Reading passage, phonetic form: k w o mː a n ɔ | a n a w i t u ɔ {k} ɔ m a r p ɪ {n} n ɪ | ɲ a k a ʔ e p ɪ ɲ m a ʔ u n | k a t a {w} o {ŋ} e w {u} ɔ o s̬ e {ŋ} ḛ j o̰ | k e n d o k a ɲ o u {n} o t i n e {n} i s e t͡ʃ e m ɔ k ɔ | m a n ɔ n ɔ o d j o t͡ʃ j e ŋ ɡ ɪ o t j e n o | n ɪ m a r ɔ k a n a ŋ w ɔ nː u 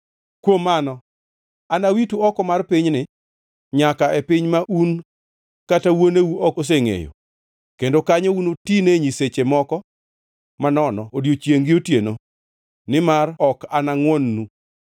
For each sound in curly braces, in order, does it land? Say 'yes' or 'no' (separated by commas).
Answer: yes, no, yes, no, yes, yes, yes, no